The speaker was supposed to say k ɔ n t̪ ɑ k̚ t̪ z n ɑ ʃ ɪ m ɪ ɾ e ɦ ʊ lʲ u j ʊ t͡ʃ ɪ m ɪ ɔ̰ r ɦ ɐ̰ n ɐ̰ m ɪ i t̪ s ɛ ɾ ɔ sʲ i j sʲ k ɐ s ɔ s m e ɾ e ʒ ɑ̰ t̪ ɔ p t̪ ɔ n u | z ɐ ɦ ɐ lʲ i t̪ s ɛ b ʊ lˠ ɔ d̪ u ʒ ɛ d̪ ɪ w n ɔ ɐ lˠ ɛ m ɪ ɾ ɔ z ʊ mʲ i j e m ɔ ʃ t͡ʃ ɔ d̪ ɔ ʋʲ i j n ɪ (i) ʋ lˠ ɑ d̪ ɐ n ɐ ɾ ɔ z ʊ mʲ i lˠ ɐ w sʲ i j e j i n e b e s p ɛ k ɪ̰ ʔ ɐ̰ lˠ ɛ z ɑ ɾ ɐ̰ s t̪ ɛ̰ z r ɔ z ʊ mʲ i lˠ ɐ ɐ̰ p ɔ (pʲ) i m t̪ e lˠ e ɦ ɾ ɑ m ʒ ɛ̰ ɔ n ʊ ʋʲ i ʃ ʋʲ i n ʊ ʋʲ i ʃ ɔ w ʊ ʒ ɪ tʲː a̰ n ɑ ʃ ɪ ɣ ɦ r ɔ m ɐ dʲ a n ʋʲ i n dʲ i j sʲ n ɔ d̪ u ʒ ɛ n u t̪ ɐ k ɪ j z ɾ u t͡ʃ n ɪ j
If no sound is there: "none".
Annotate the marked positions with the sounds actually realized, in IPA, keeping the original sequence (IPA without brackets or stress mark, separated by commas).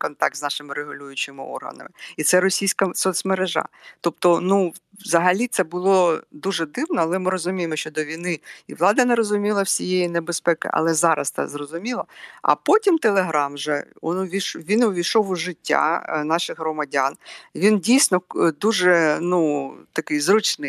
i, tʲ